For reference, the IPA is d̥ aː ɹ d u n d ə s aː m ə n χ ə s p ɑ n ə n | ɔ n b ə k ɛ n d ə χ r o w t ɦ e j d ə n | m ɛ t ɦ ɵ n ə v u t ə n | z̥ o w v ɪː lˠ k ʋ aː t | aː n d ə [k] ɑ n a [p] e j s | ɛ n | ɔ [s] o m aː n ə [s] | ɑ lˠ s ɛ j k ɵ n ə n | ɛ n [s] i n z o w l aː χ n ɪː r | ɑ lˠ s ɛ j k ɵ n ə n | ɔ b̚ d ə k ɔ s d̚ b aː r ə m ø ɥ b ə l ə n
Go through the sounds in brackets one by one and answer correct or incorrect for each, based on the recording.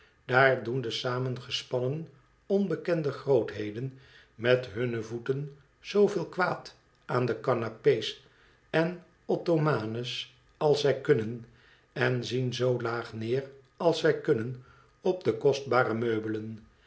correct, correct, incorrect: t, correct, incorrect: z

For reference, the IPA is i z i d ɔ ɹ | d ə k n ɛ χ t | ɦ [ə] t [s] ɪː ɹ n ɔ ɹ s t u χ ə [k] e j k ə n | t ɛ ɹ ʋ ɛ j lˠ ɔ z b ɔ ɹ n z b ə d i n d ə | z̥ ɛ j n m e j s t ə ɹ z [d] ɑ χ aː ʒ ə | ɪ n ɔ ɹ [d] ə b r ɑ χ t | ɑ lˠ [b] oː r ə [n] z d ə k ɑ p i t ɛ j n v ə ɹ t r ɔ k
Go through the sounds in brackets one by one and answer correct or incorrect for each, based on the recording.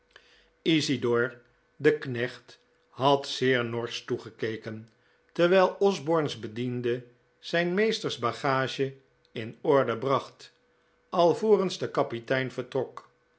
incorrect: ɑ, correct, correct, incorrect: b, correct, incorrect: v, correct

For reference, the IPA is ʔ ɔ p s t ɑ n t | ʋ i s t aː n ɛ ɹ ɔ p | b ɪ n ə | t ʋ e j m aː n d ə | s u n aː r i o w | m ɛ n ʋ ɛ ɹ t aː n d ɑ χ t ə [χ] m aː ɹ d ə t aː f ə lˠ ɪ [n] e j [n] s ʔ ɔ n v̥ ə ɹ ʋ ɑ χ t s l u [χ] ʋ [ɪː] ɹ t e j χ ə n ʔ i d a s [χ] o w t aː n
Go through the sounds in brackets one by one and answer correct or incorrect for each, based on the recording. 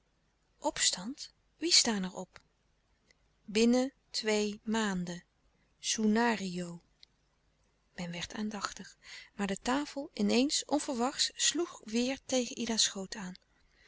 correct, correct, correct, correct, correct, correct

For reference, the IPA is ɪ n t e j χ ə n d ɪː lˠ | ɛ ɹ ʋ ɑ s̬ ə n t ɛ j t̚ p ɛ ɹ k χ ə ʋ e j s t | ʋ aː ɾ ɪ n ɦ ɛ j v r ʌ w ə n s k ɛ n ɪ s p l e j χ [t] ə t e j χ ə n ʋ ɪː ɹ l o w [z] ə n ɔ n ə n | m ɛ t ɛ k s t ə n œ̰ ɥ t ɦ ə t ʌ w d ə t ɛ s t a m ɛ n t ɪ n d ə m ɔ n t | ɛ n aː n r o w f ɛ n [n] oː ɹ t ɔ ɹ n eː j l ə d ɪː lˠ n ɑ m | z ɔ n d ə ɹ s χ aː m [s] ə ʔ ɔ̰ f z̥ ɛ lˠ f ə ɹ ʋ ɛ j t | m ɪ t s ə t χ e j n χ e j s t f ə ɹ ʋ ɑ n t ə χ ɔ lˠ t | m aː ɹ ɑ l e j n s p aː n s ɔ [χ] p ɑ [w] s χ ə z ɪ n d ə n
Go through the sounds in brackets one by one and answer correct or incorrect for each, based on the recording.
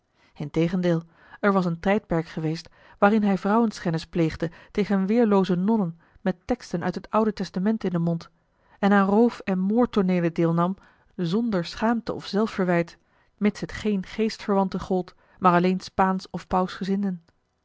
incorrect: d, correct, incorrect: m, incorrect: t, incorrect: f, correct

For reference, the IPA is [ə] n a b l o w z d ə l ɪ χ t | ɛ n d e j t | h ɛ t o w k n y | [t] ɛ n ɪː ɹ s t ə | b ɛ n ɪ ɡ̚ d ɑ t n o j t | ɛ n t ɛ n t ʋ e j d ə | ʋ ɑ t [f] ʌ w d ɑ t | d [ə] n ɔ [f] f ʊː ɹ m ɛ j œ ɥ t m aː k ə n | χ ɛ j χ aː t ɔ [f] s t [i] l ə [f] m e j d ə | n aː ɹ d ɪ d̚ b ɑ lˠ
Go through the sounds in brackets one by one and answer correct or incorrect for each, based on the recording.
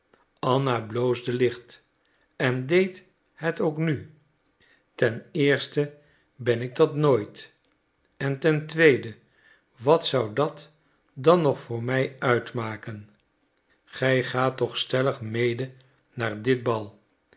incorrect: ɑ, correct, incorrect: s, incorrect: ɑ, incorrect: χ, incorrect: χ, incorrect: ɛ, incorrect: χ

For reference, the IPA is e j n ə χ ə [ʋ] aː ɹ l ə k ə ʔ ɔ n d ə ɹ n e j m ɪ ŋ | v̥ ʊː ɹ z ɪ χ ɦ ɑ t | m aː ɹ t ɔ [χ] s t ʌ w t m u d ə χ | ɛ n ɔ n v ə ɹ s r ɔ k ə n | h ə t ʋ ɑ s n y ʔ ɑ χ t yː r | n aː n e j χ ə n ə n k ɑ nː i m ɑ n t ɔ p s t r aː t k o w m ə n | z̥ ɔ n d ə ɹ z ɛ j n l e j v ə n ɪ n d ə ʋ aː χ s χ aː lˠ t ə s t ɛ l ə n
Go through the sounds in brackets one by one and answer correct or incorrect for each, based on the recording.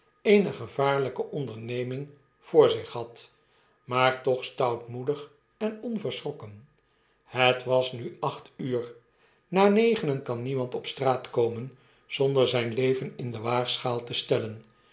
incorrect: v, correct

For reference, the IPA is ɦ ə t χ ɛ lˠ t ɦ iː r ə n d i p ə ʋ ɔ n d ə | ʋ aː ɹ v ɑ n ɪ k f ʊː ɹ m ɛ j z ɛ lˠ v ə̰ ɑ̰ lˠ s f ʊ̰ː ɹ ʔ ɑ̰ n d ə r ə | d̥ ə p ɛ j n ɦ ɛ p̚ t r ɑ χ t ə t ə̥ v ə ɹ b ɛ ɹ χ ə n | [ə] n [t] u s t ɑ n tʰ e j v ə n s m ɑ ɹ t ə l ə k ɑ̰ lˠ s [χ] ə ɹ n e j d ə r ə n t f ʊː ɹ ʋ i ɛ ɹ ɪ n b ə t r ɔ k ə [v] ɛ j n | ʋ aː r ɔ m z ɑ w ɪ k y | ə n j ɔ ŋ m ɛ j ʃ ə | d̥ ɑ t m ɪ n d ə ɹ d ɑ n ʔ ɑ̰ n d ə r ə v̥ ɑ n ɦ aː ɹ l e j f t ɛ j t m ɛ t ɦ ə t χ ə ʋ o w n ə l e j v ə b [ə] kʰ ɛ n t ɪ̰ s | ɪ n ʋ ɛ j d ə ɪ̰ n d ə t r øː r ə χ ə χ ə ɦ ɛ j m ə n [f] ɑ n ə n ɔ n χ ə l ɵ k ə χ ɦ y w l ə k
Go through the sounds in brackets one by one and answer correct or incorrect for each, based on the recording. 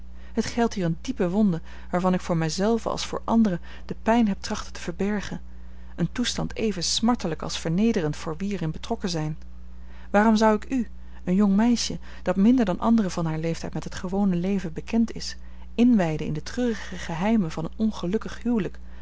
correct, correct, incorrect: f, incorrect: z, correct, incorrect: v

